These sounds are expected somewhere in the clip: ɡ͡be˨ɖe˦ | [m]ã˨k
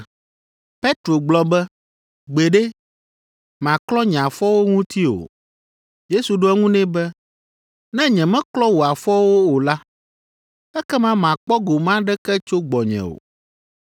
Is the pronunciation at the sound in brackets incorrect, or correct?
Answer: correct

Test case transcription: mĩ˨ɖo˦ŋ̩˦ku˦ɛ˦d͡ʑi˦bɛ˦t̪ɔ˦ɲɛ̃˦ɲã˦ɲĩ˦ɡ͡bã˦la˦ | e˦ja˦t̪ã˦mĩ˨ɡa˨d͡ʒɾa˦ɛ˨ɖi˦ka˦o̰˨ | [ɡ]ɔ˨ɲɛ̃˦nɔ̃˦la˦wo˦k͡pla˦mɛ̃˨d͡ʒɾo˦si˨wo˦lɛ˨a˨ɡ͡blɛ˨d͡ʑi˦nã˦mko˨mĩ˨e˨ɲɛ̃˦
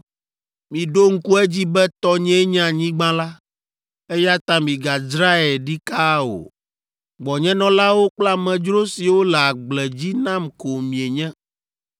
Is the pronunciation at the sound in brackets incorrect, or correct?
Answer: incorrect: ɡ͡b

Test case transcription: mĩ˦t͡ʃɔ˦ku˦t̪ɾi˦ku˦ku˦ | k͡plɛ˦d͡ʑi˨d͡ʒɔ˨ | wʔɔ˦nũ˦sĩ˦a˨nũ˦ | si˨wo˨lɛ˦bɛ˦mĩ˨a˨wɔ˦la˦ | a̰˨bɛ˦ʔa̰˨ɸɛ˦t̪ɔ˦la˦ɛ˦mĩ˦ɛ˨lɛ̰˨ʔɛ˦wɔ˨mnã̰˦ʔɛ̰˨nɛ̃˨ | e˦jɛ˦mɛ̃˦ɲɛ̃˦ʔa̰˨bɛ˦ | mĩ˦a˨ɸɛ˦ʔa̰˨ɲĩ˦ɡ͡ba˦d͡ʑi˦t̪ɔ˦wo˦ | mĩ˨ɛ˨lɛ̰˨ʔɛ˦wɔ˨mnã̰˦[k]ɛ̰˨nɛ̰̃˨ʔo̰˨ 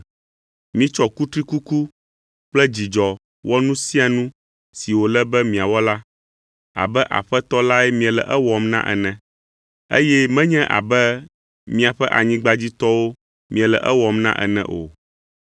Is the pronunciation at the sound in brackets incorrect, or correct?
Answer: incorrect: ʔ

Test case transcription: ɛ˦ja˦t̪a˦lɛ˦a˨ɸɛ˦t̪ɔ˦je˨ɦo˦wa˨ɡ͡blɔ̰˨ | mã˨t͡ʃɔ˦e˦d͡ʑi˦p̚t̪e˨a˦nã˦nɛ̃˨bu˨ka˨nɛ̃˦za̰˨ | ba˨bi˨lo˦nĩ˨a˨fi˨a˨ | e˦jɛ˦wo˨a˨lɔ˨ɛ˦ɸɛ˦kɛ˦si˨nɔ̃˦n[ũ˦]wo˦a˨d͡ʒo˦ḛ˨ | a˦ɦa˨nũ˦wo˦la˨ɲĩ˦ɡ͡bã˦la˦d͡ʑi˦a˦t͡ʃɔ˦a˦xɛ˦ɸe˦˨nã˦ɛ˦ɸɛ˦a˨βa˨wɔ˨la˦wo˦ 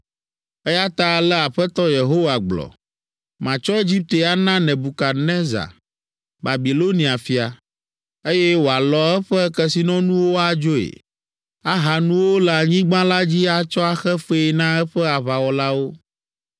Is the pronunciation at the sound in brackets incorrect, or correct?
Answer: correct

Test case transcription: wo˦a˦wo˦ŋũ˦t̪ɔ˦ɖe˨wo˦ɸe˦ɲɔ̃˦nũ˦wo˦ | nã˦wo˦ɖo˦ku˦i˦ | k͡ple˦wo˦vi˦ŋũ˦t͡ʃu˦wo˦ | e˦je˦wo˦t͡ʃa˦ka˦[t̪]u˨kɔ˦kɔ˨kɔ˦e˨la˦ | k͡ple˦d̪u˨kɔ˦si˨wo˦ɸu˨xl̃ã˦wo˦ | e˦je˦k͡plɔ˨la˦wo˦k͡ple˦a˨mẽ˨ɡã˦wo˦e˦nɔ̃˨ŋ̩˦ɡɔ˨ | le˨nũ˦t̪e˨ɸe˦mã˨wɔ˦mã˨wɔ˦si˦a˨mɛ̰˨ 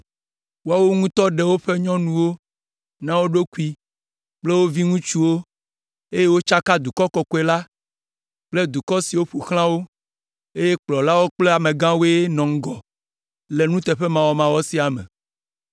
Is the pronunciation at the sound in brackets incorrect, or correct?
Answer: incorrect: d̪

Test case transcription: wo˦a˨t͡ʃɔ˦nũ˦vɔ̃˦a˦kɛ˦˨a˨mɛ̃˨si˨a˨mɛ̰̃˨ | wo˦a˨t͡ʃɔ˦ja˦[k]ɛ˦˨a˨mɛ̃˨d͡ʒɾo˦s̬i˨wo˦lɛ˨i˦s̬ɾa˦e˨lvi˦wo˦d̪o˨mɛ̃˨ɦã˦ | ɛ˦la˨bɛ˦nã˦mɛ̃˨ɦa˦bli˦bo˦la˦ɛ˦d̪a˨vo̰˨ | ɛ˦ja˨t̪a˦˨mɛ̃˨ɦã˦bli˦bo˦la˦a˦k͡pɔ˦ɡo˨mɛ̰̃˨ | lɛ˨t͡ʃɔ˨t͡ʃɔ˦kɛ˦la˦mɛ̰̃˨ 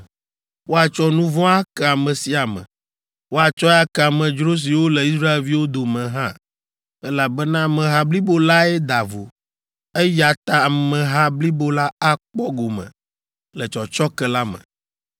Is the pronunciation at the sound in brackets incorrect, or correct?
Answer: correct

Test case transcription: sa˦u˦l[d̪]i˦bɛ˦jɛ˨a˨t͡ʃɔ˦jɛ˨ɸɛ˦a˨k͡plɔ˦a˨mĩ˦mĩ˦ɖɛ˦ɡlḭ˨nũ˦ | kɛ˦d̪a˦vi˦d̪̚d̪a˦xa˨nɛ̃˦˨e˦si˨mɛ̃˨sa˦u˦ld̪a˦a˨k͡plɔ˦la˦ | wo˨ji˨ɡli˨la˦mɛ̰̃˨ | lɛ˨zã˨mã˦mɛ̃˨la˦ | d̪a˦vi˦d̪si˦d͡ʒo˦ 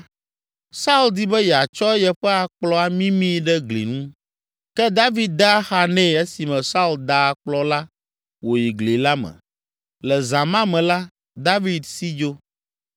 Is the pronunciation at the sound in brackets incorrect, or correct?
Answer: correct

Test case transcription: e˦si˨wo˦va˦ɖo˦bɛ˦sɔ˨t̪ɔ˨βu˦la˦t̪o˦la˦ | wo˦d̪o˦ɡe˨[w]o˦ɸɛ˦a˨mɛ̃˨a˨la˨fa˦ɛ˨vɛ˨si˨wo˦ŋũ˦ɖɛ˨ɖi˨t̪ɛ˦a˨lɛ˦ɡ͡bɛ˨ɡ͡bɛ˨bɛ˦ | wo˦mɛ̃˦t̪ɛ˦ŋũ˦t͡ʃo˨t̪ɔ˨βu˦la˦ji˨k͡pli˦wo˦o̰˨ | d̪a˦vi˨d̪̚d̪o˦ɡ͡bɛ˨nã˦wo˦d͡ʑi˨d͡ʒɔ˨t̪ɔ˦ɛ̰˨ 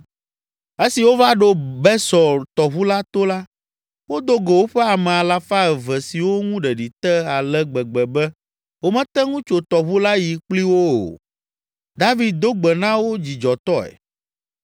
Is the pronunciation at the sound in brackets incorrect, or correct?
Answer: correct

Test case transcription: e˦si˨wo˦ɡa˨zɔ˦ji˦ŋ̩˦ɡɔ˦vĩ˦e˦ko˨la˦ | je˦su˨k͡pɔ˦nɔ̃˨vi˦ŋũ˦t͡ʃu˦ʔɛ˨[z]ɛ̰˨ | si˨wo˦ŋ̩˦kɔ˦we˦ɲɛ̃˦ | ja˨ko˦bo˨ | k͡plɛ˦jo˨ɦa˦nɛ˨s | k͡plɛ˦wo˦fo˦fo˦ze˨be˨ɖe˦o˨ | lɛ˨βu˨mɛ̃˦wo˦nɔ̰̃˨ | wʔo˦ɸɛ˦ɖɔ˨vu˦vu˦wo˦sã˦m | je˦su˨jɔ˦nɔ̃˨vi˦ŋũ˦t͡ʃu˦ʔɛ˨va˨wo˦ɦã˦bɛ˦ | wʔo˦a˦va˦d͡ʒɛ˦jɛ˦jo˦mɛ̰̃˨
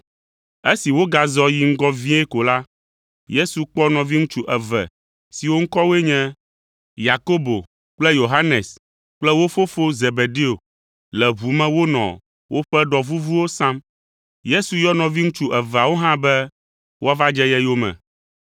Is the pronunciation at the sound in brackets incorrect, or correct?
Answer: incorrect: v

